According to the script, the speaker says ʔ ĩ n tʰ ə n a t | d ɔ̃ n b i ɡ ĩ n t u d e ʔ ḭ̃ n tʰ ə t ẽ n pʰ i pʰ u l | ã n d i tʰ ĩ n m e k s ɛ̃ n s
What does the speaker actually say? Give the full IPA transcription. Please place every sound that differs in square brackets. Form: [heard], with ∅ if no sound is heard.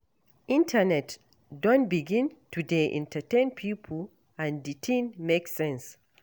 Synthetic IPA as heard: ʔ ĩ n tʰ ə n [ɛ] t | d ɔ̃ n b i ɡ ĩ n t u d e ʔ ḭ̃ n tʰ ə t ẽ n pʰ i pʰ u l | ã n d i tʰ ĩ n m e k s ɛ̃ n s

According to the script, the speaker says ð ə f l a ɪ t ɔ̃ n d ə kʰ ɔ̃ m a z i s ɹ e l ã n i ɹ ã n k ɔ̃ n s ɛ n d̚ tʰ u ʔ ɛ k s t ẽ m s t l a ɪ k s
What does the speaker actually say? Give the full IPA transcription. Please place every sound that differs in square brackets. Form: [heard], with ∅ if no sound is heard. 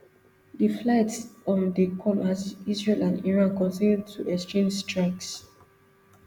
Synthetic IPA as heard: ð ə f l a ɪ t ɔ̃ n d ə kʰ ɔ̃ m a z i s ɹ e l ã n i ɹ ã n k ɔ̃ n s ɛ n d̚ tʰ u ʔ ɛ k s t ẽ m s t [ɹ] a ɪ k s

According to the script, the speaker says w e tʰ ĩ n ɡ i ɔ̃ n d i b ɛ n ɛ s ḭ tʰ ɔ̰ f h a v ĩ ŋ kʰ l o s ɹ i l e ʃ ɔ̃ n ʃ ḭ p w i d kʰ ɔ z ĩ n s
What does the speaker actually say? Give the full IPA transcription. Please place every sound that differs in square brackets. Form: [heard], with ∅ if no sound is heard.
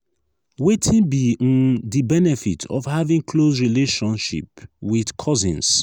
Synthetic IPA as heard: w e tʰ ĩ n [b] i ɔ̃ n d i b ɛ n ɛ [f] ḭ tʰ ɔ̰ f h a v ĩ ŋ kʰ l o s ɹ i l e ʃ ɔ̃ n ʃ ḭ p w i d kʰ ɔ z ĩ n s

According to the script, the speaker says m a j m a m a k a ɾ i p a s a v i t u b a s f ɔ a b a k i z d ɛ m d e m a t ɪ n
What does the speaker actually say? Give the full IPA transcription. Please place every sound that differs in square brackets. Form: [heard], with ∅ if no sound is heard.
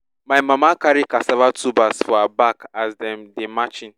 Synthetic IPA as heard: m a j m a m a k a ɾ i [k] a s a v [a] t u b a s f ɔ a b a k [a] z d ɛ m d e m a [t͡ʃ] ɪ n

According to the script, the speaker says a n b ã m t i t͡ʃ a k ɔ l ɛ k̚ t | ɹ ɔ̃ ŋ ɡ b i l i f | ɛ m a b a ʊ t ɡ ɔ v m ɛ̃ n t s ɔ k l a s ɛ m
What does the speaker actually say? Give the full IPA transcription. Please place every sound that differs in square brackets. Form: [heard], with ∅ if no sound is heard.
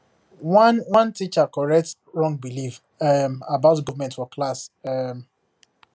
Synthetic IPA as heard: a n [w] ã [n] t i t͡ʃ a k ɔ [ɹ] ɛ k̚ t | ɹ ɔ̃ ŋ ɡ b i l i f | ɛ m a b a ʊ t ɡ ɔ v m ɛ̃ n t [f] ɔ k l a s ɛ m

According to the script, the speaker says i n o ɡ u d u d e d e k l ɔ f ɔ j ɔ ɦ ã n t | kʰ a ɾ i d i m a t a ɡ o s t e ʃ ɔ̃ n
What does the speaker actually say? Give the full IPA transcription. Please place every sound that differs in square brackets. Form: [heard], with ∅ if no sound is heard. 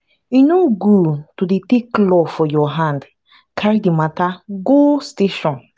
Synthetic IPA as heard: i n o ɡ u [t] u d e [t] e k l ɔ f ɔ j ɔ ɦ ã n [d] | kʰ a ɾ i d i m a t a ɡ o s t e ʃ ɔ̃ n

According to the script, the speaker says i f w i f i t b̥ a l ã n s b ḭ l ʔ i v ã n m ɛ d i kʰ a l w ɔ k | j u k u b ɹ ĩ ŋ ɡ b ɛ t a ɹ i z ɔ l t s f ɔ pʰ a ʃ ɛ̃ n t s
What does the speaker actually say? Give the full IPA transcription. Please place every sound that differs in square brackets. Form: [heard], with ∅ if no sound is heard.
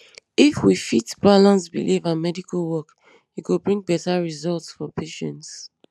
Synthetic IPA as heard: i f w i f i t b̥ a l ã n s b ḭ l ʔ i v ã n m ɛ d i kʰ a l w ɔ k | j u k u b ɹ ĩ ŋ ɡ b ɛ t a ɹ i z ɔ l t s f ɔ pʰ [e] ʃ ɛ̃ n t s

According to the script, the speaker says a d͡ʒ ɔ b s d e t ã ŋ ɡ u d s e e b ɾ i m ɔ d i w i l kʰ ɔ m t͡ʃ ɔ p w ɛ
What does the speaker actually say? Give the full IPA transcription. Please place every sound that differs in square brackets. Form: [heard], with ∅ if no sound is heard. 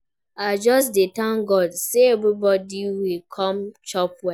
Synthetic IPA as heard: a d͡ʒ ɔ [∅] s d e t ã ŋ ɡ [ɔ] d s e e b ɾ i [b] ɔ d i w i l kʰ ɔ m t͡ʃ ɔ p w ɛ

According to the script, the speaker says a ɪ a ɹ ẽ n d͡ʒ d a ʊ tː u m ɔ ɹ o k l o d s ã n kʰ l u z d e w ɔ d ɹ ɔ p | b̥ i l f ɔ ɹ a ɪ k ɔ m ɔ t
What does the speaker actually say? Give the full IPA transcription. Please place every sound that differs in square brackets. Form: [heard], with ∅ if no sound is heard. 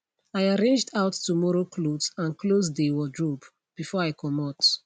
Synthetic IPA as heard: a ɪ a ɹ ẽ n d͡ʒ d a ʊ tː u m ɔ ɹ o k l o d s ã n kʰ l [o] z d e w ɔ d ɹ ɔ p | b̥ i [∅] f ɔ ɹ a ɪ k ɔ m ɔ t

